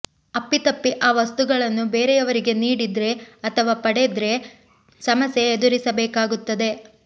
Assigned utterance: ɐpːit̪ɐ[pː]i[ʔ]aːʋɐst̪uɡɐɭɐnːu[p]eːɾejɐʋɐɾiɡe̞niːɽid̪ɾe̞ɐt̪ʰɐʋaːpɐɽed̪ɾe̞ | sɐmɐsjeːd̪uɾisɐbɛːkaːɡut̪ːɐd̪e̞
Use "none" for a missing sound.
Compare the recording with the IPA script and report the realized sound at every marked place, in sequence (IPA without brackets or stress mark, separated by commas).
pː, ʔ, b